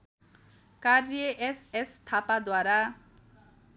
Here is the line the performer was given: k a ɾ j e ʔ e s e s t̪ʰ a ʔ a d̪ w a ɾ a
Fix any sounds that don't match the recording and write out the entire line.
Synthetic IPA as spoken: k a ɾ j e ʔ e s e s t̪ʰ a p a d̪ w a ɾ a

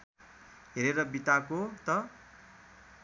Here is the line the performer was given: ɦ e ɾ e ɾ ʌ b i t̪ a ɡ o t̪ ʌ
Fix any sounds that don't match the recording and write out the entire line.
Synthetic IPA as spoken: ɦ e ɾ e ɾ ʌ b i t̪ a k o t̪ ʌ

